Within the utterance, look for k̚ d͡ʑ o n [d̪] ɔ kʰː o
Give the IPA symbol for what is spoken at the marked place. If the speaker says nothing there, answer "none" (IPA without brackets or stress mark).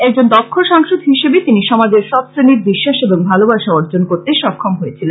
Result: d̪